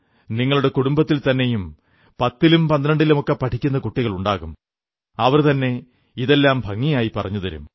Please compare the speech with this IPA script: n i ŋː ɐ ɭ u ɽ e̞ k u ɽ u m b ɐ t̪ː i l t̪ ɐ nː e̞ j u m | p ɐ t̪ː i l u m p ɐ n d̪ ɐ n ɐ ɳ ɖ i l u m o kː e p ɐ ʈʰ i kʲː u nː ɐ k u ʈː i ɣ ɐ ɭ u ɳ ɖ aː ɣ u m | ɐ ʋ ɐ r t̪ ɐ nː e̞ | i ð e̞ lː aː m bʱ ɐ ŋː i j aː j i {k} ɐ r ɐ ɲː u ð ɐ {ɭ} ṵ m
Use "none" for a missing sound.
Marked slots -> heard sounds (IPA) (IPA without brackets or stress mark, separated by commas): p, ɾ